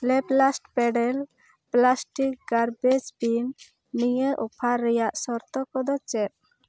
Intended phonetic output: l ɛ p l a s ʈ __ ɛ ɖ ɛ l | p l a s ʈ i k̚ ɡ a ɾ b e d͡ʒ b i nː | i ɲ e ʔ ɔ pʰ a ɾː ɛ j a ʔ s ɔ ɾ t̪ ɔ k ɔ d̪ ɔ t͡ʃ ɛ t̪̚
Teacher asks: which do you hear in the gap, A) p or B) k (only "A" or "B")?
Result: A